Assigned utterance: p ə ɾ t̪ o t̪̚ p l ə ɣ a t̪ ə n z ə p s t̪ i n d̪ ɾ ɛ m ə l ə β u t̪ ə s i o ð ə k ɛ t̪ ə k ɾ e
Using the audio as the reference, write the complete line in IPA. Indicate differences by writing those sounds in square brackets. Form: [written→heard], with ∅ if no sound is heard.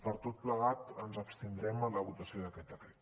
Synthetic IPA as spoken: p ə ɾ t̪ o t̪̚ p l ə ɣ a t̪ ə n z ə p s t̪ i n d̪ ɾ ɛ m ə l ə β u t̪ ə s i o ð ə k ɛ t̪ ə k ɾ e